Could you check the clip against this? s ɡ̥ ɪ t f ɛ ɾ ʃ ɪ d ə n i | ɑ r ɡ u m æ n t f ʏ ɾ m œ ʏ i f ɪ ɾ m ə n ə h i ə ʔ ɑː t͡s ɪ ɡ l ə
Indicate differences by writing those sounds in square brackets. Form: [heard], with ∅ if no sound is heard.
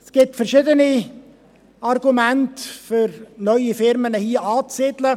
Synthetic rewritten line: s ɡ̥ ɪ t f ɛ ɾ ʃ ɪ d ə n i | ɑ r ɡ u m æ n t f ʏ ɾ [n] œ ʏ i f ɪ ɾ m ə n ə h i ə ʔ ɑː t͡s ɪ [d] l ə